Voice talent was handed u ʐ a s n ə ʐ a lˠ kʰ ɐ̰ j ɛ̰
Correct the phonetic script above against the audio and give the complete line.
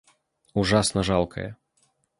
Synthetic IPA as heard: u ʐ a s n ɐ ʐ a lˠ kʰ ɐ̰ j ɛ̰